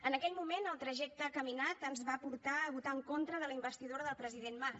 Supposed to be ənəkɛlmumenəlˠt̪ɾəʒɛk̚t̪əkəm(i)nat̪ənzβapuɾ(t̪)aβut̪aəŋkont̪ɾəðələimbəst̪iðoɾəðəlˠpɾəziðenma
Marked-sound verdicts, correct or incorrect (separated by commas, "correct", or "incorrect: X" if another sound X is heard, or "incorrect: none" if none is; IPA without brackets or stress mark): correct, correct